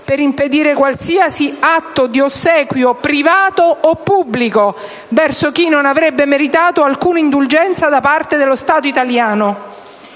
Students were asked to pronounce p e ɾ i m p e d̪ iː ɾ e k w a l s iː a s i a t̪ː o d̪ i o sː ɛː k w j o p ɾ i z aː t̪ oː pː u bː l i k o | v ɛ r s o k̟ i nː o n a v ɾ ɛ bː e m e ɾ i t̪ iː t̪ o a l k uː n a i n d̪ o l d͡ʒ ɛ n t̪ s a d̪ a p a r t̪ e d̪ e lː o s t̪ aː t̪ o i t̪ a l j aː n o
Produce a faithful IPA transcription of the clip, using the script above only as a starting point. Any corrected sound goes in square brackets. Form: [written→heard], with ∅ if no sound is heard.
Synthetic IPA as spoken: p e ɾ i m p e d̪ iː ɾ e k w a l s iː a s i a t̪ː o d̪ i o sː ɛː k w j o p ɾ i [z→v] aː t̪ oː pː u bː l i k o | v ɛ r s o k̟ i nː o n a v ɾ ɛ bː e m e ɾ i t̪ [iː→aː] t̪ o a l k uː n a i n d̪ [o→u] l d͡ʒ ɛ n t̪ s a d̪ a p a r t̪ e d̪ e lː o s t̪ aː t̪ o i t̪ a l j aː n o